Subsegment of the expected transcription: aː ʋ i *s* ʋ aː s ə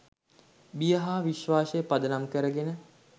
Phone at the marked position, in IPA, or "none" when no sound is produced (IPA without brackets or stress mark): ʃ